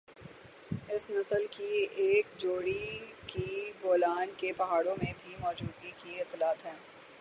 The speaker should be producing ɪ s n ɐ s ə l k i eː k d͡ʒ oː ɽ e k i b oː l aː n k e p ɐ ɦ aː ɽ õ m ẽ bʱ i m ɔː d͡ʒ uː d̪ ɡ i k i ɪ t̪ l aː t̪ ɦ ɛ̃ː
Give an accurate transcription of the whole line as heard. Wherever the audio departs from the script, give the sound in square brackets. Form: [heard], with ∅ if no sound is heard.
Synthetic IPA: ɪ s n ɐ s ə l k i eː k d͡ʒ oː ɽ [i] k i b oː l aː n k e p ɐ ɦ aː ɽ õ m ẽ bʱ i m ɔː d͡ʒ uː d̪ ɡ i k i ɪ t̪ l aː t̪ ɦ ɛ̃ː

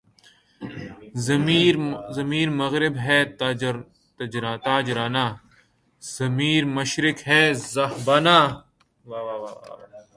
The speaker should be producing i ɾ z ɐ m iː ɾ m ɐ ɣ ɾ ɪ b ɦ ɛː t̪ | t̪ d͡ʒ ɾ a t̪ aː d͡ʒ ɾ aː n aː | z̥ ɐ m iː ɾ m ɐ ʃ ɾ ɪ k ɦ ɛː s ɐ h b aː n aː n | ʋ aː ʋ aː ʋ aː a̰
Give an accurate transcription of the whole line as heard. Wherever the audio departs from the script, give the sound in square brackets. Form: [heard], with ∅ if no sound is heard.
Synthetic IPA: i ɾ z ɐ m iː ɾ m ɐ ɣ ɾ ɪ b ɦ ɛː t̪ | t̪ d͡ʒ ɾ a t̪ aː d͡ʒ ɾ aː n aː | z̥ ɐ m iː ɾ m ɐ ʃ ɾ ɪ k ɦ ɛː [z] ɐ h b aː n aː [∅] | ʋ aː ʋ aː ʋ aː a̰

